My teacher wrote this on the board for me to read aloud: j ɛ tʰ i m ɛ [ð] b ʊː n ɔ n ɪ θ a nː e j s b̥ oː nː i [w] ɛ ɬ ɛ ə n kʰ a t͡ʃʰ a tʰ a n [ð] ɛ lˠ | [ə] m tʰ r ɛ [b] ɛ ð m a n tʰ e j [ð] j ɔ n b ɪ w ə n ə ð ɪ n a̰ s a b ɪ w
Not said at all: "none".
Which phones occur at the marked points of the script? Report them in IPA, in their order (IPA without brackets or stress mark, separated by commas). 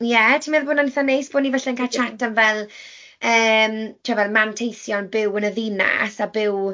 ð, v, v, əː, v, θ